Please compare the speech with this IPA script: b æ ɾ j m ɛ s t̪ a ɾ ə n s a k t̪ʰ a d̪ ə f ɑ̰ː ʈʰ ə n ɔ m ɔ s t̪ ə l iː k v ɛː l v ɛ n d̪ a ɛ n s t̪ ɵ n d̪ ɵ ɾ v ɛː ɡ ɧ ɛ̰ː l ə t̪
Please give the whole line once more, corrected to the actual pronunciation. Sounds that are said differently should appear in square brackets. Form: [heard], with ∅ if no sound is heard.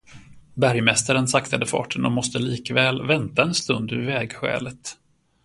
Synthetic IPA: b æ ɾ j m ɛ s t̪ a ɾ ə n s a k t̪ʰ a d̪ ə f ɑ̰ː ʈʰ ə n ɔ m ɔ s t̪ ə l iː k v ɛː l v ɛ n [t̪] a ɛ n s t̪ ɵ n d̪ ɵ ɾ v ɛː ɡ ɧ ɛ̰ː l ə t̪